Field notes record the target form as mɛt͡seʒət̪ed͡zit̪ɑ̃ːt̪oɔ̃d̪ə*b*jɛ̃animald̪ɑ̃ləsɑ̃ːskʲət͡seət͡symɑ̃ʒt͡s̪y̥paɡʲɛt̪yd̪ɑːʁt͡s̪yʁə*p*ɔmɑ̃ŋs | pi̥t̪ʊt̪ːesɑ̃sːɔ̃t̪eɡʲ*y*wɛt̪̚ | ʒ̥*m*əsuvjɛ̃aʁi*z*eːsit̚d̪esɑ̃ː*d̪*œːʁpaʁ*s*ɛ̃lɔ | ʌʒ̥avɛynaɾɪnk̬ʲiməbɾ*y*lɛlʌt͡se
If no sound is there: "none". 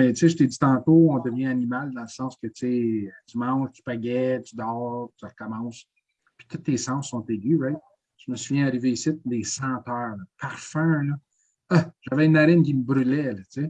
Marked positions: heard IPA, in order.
v, k, y, m, v, t̪, f, y

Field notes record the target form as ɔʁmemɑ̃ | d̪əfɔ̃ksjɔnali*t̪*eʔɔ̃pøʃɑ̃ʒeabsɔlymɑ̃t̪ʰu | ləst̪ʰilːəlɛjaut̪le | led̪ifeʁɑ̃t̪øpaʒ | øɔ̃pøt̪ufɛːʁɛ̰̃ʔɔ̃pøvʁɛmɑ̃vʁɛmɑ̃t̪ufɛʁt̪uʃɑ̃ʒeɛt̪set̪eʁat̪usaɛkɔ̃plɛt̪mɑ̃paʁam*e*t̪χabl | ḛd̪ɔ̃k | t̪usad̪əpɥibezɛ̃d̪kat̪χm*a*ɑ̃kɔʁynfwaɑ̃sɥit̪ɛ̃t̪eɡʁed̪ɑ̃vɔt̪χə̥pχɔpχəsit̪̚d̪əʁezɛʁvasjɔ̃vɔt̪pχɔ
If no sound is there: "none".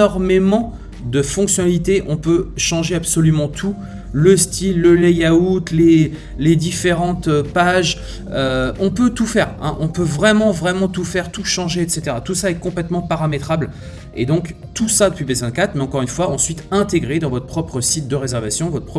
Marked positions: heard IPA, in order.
t̪, e, ɛ

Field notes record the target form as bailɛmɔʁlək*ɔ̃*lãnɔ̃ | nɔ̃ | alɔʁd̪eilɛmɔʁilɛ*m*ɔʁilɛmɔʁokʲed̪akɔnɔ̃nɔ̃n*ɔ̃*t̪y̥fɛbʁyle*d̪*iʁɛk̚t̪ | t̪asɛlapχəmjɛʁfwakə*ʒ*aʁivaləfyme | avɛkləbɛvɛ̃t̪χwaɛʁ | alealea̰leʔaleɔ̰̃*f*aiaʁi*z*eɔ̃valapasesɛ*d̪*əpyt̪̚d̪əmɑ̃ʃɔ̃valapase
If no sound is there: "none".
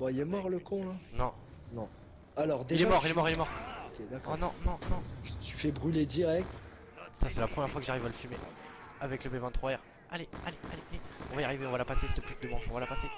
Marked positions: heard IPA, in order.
ɔ̃, m, ɔ̃, d̪, ʒ, v, v, t̪

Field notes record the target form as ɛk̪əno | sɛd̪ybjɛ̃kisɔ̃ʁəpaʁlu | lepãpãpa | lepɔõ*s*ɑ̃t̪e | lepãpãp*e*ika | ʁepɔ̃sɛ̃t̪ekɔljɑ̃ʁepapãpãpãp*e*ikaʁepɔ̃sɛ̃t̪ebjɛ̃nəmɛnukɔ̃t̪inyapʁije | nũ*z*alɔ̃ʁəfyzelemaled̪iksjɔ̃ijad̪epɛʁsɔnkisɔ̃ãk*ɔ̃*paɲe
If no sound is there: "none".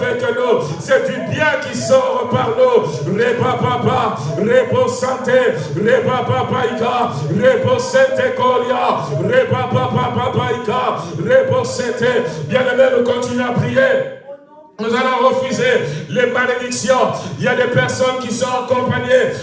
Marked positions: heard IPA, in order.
s, a, a, z, ɔ̃

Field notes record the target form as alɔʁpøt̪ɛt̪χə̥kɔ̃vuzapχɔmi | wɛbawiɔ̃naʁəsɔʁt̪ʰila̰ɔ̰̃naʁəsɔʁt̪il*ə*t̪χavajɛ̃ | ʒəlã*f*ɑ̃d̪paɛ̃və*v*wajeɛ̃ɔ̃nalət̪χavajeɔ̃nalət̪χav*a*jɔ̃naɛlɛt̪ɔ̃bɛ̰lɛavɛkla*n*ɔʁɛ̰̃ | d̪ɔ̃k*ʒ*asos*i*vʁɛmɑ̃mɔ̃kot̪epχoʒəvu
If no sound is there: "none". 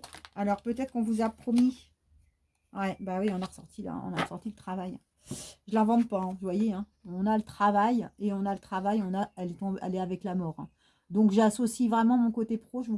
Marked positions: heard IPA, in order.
ə, v, v, a, m, ʒ, i

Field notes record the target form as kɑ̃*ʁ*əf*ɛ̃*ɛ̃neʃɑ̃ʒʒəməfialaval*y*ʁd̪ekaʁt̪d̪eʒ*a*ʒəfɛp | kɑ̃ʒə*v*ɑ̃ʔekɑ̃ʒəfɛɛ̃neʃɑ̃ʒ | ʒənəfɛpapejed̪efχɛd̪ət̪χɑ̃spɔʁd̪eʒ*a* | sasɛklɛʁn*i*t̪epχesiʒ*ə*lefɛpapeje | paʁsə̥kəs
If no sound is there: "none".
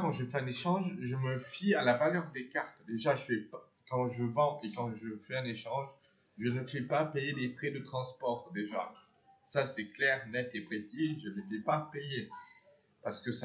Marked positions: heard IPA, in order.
ʒ, ɛ, œ, a, v, a, ɛ, ə

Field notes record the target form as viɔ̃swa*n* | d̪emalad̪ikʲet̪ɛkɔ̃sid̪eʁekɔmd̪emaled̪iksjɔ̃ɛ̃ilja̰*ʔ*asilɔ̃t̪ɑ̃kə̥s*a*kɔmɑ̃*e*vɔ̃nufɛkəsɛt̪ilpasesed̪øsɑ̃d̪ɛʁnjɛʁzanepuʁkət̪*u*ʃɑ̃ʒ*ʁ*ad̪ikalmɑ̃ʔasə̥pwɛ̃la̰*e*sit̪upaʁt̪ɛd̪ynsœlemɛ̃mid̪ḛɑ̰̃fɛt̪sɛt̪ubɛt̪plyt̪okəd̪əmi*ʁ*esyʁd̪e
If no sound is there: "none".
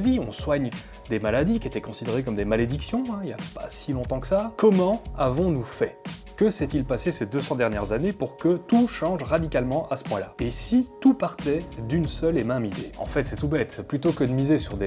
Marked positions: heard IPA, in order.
ɲ, p, a, a, u, ʁ, e, z

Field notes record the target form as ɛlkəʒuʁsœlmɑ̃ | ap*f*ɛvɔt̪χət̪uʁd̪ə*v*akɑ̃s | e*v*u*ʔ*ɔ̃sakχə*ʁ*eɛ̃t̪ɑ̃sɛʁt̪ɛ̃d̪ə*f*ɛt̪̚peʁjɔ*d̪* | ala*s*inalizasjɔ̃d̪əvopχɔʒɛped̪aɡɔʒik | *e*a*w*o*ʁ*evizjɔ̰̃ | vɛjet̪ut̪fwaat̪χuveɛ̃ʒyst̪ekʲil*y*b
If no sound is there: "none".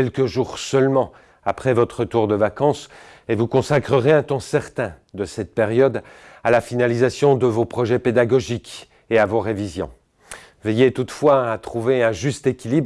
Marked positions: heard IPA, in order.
χ, v, v, k, ʁ, s, d̪, f, e, v, ʁ, i

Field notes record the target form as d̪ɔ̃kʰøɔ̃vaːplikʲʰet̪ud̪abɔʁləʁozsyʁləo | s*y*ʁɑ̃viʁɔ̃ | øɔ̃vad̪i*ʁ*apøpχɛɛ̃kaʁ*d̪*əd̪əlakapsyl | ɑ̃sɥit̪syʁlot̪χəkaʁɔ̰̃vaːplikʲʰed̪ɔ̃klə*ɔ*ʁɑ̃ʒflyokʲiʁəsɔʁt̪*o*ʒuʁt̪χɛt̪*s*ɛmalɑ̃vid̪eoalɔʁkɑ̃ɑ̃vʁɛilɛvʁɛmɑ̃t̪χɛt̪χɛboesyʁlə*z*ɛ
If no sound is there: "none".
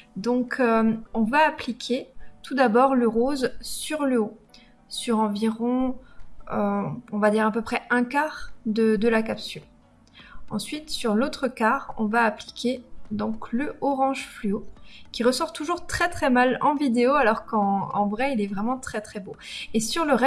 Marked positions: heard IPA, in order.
y, ʁ, d̪, ɔ, u, χ, ʁ

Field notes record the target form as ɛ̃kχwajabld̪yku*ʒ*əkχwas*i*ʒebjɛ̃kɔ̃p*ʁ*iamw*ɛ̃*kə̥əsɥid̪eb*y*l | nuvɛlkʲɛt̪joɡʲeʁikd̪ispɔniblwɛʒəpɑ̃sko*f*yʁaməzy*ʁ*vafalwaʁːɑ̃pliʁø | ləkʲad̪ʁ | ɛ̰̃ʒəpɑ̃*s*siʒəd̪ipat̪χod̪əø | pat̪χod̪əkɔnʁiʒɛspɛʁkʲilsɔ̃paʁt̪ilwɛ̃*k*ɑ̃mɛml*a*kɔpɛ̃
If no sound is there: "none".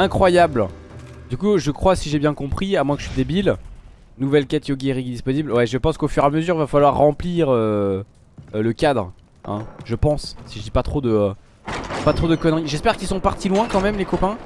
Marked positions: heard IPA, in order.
ʒ, i, χ, ɛ̃, i, f, ʁ, s, k, e

